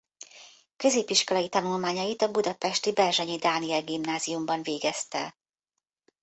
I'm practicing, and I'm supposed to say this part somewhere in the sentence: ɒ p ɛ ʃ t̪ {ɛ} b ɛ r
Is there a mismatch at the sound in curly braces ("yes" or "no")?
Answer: yes